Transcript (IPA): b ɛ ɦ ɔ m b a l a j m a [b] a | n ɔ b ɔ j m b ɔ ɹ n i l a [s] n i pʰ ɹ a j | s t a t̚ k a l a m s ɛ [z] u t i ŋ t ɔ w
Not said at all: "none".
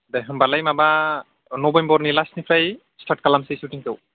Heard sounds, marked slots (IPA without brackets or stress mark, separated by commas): b, s, s